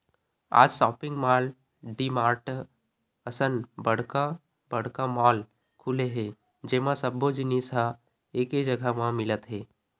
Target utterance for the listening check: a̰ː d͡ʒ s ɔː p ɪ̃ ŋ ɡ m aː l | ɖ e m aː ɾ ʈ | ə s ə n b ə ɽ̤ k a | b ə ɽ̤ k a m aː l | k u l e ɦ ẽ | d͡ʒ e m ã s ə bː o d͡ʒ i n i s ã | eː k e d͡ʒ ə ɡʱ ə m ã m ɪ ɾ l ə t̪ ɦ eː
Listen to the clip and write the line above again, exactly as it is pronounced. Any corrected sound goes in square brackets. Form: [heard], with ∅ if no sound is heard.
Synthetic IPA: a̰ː d͡ʒ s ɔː p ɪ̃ ŋ ɡ m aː l | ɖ [i] m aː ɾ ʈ | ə s ə n b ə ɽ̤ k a | b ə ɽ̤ k a m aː l | [kʰ] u l e ɦ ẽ | d͡ʒ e m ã s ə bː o d͡ʒ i n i s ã | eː k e d͡ʒ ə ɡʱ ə m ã m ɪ [∅] l ə t̪ ɦ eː